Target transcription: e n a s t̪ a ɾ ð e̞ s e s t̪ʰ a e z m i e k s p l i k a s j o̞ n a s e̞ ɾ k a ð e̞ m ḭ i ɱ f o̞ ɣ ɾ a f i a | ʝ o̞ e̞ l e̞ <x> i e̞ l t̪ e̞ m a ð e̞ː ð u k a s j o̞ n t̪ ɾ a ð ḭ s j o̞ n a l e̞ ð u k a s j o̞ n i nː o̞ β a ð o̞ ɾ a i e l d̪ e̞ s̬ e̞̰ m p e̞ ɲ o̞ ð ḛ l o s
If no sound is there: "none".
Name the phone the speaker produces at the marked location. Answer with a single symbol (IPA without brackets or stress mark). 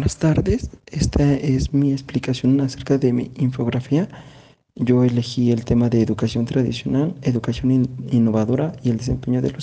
x